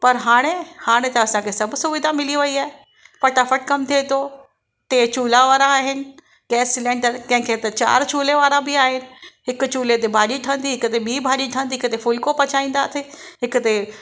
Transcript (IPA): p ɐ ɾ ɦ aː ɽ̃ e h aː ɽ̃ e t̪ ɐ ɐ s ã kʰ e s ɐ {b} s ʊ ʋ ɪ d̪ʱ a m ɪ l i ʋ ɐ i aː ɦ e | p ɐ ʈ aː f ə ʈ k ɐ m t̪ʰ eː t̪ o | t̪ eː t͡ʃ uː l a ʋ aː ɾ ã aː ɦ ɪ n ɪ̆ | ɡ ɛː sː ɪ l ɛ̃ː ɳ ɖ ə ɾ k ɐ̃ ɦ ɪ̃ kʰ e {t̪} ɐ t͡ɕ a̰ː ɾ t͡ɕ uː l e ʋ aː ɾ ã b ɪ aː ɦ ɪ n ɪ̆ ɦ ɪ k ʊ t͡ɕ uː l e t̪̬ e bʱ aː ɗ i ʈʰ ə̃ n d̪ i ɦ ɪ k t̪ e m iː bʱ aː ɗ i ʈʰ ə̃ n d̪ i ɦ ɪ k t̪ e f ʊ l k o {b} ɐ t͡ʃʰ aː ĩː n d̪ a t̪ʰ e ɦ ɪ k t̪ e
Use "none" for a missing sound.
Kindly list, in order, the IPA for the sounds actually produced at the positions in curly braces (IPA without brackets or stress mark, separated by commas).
b, t̪, p